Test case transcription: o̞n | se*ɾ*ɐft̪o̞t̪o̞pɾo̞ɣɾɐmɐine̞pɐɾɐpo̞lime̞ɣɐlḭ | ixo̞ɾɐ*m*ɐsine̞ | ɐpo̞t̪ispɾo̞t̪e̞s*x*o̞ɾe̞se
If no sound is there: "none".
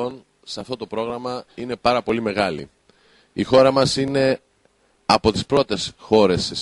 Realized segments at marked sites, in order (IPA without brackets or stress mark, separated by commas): none, m, x